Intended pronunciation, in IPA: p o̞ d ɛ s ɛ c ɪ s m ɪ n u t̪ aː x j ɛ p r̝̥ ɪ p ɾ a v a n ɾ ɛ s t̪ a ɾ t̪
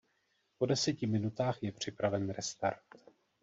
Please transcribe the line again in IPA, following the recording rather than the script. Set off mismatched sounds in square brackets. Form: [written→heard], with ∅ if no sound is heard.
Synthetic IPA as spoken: p o̞ d ɛ s ɛ c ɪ [s→∅] m ɪ n u t̪ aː x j ɛ p r̝̥ ɪ p ɾ a v [a→ɛ] n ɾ ɛ s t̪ a ɾ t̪

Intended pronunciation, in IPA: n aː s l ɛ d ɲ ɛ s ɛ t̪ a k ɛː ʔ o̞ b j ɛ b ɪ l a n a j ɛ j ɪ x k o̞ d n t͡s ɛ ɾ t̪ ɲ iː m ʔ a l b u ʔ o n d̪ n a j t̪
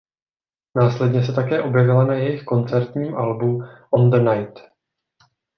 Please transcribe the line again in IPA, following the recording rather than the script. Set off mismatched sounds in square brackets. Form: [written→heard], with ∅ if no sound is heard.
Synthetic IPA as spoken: n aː s l ɛ d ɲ ɛ s ɛ t̪ a k ɛː ʔ o̞ b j ɛ [b→v] ɪ l a n a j ɛ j ɪ x k o̞ [d→∅] n t͡s ɛ ɾ t̪ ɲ iː m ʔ a l b u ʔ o n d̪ n a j t̪

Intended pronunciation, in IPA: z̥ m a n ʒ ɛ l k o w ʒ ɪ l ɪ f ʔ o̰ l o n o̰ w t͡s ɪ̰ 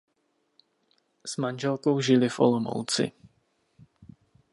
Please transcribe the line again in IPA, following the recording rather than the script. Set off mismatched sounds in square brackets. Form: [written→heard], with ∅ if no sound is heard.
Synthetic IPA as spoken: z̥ m a n ʒ ɛ l k o w ʒ ɪ l ɪ f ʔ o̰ l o [n→m] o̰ w t͡s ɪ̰

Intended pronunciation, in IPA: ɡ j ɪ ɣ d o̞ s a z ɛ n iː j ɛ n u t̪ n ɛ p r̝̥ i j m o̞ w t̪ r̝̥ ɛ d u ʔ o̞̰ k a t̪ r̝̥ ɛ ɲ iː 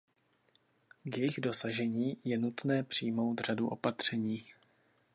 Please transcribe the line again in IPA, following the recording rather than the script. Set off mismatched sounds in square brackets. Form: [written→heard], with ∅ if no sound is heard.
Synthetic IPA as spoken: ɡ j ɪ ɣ d o̞ s a [z→ʒ] ɛ [n→ɲ] iː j ɛ n u t̪ n [ɛ→ɛː] p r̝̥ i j m o̞ w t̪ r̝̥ [ɛ→a] d u ʔ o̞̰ [k→p] a t̪ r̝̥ ɛ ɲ iː

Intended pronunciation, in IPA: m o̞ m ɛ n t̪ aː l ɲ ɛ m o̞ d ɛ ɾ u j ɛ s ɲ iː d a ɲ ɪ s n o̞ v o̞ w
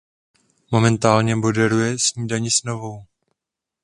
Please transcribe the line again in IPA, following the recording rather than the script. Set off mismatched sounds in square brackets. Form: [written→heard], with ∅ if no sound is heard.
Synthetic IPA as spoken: m o̞ m ɛ n t̪ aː l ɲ ɛ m o̞ d ɛ ɾ u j ɛ s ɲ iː d a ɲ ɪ s n o̞ v o̞ w

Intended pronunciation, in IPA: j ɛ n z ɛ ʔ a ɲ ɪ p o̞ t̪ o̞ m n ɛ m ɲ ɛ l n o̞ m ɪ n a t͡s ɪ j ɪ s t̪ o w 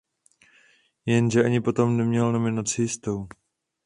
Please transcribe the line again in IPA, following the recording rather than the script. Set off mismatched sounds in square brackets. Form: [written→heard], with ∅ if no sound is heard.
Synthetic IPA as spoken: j ɛ n [z→ʒ] ɛ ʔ a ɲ ɪ p o̞ t̪ o̞ m n ɛ m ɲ ɛ l n o̞ m ɪ n a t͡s ɪ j ɪ s t̪ o w

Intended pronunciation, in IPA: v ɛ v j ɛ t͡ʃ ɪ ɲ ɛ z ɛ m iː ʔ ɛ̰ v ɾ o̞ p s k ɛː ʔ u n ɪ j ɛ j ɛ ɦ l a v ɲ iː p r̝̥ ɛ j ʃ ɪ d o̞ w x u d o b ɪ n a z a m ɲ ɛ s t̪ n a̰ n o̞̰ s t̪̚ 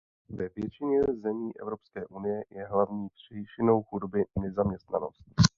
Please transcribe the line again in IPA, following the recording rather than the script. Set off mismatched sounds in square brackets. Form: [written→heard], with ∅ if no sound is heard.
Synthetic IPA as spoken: v ɛ v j ɛ t͡ʃ ɪ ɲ ɛ z ɛ m iː ʔ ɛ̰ v ɾ o̞ p s k ɛː ʔ u n ɪ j ɛ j ɛ ɦ l a v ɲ iː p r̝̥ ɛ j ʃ ɪ [d→n] o̞ w x u d o b ɪ n [a→ɛ] z a m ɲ ɛ s t̪ n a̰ n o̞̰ s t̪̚

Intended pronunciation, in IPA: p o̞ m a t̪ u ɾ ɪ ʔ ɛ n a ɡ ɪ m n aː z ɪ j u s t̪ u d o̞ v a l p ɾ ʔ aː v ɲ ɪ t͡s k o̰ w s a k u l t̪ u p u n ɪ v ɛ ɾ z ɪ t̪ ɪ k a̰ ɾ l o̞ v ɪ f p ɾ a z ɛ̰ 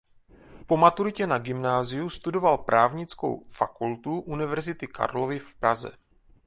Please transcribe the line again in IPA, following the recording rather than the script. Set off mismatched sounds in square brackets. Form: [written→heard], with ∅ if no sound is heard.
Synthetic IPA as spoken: p o̞ m a t̪ u ɾ ɪ [ʔ→c] ɛ n a ɡ ɪ m n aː z ɪ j u s t̪ u d o̞ v a l p ɾ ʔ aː v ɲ ɪ t͡s k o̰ w [s→f] a k u l t̪ u [p→ʔ] u n ɪ v ɛ ɾ z ɪ t̪ ɪ k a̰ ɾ l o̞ v ɪ f p ɾ a z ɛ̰

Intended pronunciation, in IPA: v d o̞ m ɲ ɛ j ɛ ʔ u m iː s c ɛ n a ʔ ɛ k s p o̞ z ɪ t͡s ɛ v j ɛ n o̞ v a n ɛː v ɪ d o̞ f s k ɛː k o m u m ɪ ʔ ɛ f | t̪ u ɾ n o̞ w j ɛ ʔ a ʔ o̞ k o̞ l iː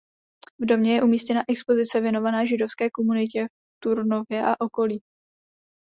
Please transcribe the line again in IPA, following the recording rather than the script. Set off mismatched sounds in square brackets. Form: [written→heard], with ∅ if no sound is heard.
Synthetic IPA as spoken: v d o̞ m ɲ ɛ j ɛ ʔ u m iː s c ɛ n a ʔ ɛ k s p o̞ z ɪ t͡s ɛ v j ɛ n o̞ v a n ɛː [v→ʒ] ɪ d o̞ f s k ɛː k o m u [m→n] ɪ [ʔ→c] ɛ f | t̪ u ɾ n o̞ [w→v] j ɛ ʔ a ʔ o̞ k o̞ l iː

